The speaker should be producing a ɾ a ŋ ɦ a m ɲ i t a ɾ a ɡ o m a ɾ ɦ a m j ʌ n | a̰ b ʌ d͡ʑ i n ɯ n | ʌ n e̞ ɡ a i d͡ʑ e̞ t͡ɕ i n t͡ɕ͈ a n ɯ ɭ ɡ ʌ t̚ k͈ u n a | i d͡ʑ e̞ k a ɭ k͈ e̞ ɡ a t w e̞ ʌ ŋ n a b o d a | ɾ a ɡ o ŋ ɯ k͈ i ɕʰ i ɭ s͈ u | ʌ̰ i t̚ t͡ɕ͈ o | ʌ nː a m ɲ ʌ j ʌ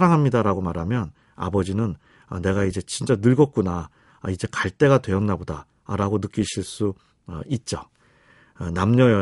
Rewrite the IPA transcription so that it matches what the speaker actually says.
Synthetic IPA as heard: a ɾ a ŋ ɦ a m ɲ i d a ɾ a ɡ o m a ɾ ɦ a m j ʌ n | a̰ b ʌ d͡ʑ i n ɯ n | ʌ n e̞ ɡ a i d͡ʑ e̞ t͡ɕ i n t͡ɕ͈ a n ɯ ɭ ɡ ʌ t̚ k͈ u n a | i d͡ʑ e̞ k a ɭ t͈ e̞ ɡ a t w e̞ ʌ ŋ n a b o d a | ɾ a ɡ o n ɯ k͈ i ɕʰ i ɭ s͈ u | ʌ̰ i t̚ t͡ɕ͈ o | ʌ n a m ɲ ʌ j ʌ